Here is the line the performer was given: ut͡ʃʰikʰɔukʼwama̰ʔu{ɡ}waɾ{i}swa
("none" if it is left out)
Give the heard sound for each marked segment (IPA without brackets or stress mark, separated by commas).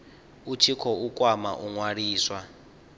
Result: ŋ, iː